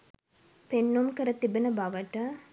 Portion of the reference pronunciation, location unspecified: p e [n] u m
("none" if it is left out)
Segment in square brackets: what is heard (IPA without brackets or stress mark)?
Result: nː